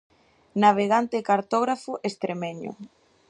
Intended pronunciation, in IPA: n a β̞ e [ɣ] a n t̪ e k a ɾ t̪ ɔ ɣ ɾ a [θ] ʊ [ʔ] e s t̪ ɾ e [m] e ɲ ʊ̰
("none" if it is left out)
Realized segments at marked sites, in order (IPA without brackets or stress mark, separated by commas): ɣ, f, ʔ, m